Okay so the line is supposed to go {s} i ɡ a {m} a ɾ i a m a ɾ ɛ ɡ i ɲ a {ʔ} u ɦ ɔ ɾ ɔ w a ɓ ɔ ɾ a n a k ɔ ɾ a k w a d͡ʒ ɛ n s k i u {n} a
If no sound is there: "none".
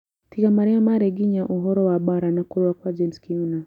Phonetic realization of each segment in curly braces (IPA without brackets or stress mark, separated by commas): t, m, ʔ, n